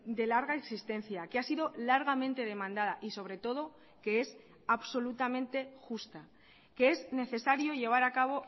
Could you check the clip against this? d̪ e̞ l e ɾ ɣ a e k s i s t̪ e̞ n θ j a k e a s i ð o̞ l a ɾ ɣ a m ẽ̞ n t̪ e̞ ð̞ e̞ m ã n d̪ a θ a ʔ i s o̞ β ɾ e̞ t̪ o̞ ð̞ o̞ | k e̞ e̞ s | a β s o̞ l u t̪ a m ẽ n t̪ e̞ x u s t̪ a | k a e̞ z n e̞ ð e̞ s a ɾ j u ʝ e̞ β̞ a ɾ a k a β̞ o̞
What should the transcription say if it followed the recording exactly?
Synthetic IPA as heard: d̪ e̞ l a ɾ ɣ a e k s i s t̪ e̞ n θ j a k e a s i ð o̞ l a ɾ ɣ a m ẽ̞ n t̪ e̞ ð̞ e̞ m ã n d̪ a ð a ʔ i s o̞ β ɾ e̞ t̪ o̞ ð̞ o̞ | k e̞ e̞ s | a β s o̞ l u t̪ a m ẽ n t̪ e̞ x u s t̪ a | k e e̞ z n e̞ θ e̞ s a ɾ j o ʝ e̞ β̞ a ɾ a k a β̞ o̞